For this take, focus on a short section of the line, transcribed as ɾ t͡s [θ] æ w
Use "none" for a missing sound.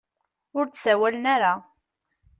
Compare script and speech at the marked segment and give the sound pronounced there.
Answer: s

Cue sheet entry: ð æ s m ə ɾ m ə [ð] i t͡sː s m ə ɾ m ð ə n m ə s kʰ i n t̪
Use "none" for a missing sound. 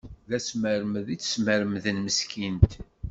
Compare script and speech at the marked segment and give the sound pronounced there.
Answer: ð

